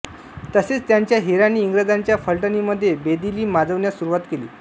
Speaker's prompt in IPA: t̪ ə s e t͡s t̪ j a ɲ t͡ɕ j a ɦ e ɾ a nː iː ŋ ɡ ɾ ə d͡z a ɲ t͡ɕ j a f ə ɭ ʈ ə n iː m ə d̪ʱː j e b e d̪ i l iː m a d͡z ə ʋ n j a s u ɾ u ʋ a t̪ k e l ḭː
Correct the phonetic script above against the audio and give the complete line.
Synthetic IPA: t̪ ə s e t͡s t̪ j a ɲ t͡ɕ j a ɦ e ɾ a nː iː ŋ ɡ ɾ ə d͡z a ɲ t͡ɕ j a f ə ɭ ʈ ə n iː m ə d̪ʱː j e b e d̪ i l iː m a d͡z ə ʋ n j a s u ɾ u ʋ a t̪ k e l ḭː

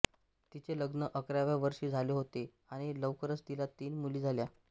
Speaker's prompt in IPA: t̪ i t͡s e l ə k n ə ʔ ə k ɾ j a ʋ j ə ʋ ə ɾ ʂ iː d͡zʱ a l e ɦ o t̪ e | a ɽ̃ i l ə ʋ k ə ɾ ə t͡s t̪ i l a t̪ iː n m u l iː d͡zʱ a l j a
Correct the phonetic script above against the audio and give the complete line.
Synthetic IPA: t̪ i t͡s e l ə ɡ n ə ʔ ə k ɾ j a ʋ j a ʋ ə ɾ ʂ iː d͡zʱ a l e ɦ o t̪ e | a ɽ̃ i l ə ʋ k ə ɾ ə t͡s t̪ i l a t̪ iː n m u l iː d͡zʱ a l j a

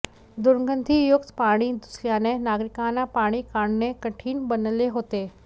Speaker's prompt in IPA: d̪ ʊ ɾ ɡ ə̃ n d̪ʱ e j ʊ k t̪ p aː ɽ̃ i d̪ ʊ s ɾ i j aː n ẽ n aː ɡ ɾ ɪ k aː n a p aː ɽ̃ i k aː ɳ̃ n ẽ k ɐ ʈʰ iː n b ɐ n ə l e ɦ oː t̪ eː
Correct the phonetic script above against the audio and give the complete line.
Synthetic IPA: d̪ ʊ ɾ ɡ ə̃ n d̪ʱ i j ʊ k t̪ p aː ɽ̃ i d̪ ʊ s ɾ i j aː n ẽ n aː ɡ ɾ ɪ k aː n a p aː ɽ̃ i k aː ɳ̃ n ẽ k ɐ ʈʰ iː n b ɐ n ə l e ɦ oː t̪ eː

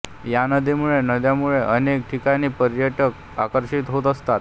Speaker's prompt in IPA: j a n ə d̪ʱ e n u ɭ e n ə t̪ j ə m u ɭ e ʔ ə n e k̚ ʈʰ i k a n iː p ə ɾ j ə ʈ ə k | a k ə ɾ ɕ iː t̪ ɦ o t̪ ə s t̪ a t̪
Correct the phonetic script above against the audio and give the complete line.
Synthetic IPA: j a n ə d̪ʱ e m u ɭ e n ə d̪ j a m u ɭ e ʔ ə n e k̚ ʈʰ i k a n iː p ə ɾ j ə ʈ ə k | a k ə ɾ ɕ i t̪ ɦ o t̪ ə s t̪ a t̪

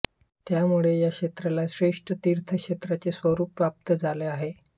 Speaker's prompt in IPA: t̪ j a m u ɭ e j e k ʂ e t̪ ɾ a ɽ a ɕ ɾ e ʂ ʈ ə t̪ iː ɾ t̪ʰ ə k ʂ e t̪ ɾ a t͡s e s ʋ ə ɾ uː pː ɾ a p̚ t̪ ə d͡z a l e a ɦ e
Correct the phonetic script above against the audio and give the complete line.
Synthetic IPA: t̪ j a m u ɭ e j a k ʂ e t̪ ɾ a l a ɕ ɾ e ʂ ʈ ə t̪ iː ɾ t̪ʰ ə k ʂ e t̪ ɾ a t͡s e s ʋ ə ɾ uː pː ɾ a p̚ t̪ ə d͡z a l e a ɦ e

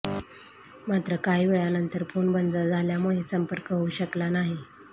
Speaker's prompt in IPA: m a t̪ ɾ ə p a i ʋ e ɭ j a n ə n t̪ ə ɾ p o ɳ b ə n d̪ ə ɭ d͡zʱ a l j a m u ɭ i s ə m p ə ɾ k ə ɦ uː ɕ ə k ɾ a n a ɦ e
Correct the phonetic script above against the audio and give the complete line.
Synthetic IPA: m a t̪ ɾ ə k a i ʋ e ɭ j a n ə n t̪ ə ɾ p o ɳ b ə n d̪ ə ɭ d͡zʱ a l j a m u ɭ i s ə m p ə ɾ k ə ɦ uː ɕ ə k l a n a ɦ i

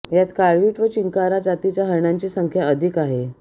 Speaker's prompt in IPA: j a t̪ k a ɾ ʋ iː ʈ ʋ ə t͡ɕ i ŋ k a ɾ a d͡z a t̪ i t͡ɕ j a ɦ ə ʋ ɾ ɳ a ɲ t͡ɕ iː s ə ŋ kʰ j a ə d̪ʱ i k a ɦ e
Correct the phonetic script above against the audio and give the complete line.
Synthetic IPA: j a t̪ k a ɭ ʋ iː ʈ ʋ ə t͡ɕ i ŋ k a ɾ a d͡z a t̪ i t͡ɕ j a ɦ ə ɾ ɳ a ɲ t͡ɕ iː s ə ŋ kʰ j a ə d̪ʱ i k a ɦ e

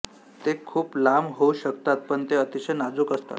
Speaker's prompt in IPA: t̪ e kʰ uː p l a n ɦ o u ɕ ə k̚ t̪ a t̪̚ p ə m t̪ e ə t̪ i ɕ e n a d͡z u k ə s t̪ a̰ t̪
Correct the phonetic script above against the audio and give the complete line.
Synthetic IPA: t̪ e kʰ uː p l a m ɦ o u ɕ ə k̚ t̪ a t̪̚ p ə ɳ t̪ e ə t̪ i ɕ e n a d͡z u k ə s t̪ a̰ t̪

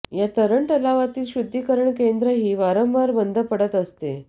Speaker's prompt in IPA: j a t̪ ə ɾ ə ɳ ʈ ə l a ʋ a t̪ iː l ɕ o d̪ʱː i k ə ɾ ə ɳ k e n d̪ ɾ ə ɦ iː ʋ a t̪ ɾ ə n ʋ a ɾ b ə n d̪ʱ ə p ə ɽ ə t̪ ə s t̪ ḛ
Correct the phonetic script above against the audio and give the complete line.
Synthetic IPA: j a t̪ ə ɾ ə ɳ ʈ ə l a ʋ a t̪ iː l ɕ u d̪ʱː i k ə ɾ ə ɳ k e n d̪ ɾ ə ɦ iː ʋ a ɾ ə m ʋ a ɾ b ə n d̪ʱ ə p ə ɽ ə t̪ ə s t̪ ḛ

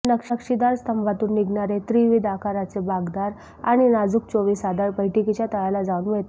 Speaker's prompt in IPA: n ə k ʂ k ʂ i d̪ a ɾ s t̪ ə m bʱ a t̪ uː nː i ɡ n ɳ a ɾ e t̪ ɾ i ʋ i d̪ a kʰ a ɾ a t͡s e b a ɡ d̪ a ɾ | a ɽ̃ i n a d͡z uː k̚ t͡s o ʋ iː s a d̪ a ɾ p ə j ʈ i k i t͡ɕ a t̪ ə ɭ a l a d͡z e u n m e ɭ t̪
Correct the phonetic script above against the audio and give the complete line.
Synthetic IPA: n ə k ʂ k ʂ i d̪ a ɾ s t̪ ə m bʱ a t̪ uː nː i ɡ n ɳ a ɾ e t̪ ɾ i ʋ i d̪ a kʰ a ɾ a t͡s e b a ɡ d̪ a ɾ | a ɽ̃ i n a d͡z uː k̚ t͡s o ʋ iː s a d̪ a ɾ p ə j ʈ i k i t͡ɕ a t̪ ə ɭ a l a d͡z a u n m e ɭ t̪

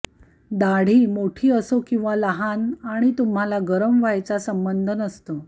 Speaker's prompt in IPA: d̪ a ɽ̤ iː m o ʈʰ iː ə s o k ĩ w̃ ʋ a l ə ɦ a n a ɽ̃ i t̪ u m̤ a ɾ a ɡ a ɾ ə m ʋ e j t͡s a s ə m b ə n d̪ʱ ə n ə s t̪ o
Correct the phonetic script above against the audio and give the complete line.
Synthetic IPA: d̪ a ɽ̤ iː m o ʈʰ iː ə s o k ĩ w̃ ʋ a l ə ɦ a n a ɽ̃ i t̪ u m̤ a l a ɡ ə ɾ ə m ʋ a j t͡s a s ə m b ə n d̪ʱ ə n ə s t̪ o

